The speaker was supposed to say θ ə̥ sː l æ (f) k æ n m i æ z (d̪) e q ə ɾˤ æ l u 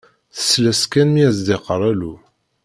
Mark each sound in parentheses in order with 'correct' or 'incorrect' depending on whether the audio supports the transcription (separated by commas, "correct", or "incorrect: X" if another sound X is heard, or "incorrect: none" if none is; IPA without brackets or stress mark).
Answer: incorrect: s, correct